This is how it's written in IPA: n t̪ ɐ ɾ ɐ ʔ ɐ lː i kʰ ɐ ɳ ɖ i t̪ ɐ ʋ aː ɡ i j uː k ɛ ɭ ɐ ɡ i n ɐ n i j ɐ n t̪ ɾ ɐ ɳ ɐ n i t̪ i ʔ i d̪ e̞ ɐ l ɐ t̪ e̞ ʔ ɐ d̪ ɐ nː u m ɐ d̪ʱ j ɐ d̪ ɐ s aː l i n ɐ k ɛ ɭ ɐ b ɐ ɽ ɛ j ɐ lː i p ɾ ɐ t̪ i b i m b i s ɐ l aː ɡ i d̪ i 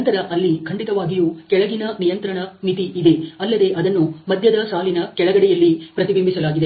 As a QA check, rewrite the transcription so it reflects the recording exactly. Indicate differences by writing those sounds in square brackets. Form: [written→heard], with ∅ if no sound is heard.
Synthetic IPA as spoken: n t̪ ɐ ɾ ɐ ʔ ɐ lː i kʰ ɐ ɳ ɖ i t̪ ɐ ʋ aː ɡ i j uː k ɛ ɭ ɐ ɡ i n ɐ n i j ɐ n t̪ ɾ ɐ ɳ ɐ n i t̪ i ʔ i d̪ e̞ ɐ [l→lː] ɐ [t̪→d̪] e̞ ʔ ɐ d̪ ɐ nː u m ɐ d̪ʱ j ɐ d̪ ɐ s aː l i n ɐ k ɛ ɭ ɐ [b→ɡ] ɐ ɽ ɛ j ɐ lː i p ɾ ɐ t̪ i b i m b i s ɐ l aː ɡ i d̪ [i→e]